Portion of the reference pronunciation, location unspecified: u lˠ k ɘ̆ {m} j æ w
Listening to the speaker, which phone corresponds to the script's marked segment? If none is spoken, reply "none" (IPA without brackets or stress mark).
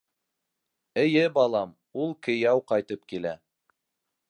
none